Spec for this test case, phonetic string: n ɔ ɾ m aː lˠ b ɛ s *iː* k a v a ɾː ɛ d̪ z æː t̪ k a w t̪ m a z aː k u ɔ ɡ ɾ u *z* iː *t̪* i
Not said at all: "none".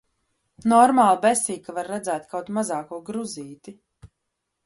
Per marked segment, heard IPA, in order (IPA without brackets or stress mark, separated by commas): iː, z, t̪